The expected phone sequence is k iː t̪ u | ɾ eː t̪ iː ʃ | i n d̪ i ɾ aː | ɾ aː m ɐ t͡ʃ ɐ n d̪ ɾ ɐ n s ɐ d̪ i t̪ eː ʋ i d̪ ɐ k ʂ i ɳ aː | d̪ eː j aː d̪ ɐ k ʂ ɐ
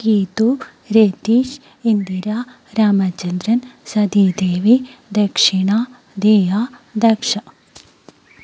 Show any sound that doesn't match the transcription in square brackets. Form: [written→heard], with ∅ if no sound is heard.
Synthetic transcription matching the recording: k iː t̪ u | ɾ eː t̪ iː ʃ | i n d̪ i ɾ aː | ɾ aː m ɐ t͡ʃ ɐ n d̪ ɾ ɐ n s ɐ d̪ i [t̪→d̪] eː ʋ i d̪ ɐ k ʂ i ɳ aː | d̪ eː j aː d̪ ɐ k ʂ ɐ